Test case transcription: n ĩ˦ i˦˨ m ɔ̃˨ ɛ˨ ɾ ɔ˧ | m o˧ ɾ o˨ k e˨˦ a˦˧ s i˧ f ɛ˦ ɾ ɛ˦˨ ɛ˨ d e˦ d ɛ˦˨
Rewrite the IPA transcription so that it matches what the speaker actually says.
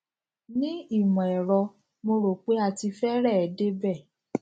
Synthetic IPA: n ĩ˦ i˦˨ m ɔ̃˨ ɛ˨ ɾ ɔ˧ | m o˧ ɾ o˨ k͡p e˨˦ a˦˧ t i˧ f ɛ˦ ɾ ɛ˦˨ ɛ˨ d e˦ b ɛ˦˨